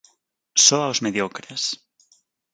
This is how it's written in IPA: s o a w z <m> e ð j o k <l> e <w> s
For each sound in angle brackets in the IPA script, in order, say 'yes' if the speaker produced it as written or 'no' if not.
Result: yes, no, no

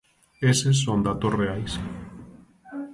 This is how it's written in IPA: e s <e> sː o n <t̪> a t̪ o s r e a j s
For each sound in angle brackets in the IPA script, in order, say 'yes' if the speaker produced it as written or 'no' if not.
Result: yes, no

